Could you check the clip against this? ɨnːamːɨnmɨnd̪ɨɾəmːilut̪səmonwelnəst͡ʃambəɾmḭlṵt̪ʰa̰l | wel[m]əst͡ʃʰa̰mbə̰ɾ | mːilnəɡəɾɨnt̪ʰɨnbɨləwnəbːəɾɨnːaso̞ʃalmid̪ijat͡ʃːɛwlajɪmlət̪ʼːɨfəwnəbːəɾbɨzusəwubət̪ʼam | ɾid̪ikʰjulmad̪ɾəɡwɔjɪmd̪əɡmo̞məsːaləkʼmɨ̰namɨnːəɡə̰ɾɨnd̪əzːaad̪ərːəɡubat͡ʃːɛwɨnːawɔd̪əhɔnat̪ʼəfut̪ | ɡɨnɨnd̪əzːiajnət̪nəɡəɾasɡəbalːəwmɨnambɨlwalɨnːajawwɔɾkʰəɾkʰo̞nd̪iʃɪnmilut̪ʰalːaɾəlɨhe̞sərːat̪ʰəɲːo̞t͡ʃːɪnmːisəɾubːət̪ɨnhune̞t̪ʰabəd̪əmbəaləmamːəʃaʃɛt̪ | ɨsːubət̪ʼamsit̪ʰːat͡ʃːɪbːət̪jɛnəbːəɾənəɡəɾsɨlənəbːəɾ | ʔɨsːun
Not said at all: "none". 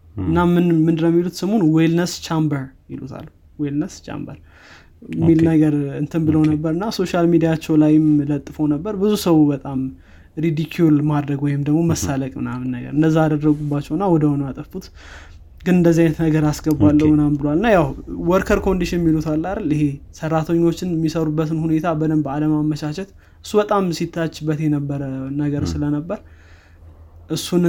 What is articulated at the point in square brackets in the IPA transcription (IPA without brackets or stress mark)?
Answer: n